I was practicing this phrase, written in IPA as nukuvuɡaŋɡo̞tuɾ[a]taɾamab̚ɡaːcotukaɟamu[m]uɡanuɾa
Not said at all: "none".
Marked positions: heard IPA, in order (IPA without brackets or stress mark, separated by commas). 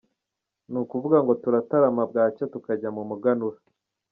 a, m